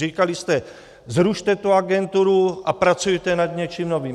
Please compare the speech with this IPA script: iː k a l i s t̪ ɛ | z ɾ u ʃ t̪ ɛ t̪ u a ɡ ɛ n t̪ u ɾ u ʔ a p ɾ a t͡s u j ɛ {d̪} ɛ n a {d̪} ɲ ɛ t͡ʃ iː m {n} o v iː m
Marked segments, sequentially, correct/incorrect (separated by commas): incorrect, correct, correct